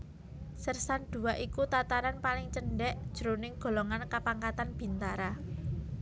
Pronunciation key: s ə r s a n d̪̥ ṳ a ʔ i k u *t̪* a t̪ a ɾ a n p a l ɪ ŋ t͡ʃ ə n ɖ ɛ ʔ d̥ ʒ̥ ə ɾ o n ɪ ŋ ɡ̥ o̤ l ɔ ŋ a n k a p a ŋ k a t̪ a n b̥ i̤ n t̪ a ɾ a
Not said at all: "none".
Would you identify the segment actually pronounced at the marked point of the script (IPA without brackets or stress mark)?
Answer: t̪